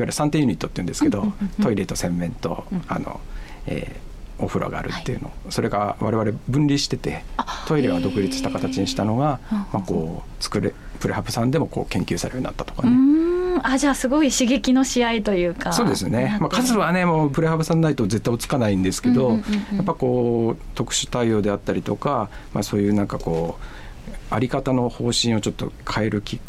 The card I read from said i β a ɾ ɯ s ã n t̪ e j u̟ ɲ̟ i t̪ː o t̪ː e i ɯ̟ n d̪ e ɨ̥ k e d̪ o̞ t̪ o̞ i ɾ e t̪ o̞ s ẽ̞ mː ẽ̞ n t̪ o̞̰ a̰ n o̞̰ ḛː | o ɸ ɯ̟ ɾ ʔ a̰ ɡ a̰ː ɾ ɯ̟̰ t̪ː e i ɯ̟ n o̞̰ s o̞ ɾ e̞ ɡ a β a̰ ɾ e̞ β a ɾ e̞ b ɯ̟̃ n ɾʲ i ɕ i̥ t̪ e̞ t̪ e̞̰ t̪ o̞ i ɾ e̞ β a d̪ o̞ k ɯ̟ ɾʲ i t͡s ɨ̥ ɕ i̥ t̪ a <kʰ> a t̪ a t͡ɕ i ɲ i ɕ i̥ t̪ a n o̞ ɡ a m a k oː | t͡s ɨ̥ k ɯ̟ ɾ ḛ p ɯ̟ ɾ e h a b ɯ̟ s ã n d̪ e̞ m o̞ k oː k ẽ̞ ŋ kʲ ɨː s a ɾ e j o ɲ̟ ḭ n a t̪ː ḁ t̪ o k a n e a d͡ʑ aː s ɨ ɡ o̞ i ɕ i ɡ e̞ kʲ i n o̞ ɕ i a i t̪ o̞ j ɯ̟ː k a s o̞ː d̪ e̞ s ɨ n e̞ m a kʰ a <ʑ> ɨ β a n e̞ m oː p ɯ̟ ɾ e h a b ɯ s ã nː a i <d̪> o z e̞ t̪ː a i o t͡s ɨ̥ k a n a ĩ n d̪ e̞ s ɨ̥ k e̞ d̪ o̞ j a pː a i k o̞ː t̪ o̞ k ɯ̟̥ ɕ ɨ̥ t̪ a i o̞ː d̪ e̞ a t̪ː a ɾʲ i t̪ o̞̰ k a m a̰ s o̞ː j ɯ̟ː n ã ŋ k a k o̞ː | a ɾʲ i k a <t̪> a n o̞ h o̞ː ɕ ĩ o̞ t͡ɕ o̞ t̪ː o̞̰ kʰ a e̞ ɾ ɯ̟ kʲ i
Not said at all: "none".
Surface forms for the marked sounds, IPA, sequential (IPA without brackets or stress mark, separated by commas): k, z, t̪, t̪